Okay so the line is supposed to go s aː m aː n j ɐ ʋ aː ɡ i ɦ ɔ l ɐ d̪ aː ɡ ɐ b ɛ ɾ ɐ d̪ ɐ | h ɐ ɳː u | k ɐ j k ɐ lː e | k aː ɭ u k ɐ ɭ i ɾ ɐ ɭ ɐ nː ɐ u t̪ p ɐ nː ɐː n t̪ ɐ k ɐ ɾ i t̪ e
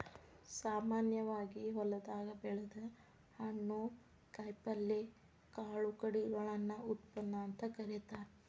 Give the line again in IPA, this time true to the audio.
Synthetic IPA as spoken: s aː m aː n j ɐ ʋ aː ɡ i ɦ ɔ l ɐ d̪ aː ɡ ɐ b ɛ ɭ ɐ d̪ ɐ | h ɐ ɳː u | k ɐ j p ɐ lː e | k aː ɭ u k ɐ ɽ i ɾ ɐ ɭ ɐ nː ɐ u t̪ p ɐ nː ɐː n t̪ ɐ k ɐ ɾ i t̪ a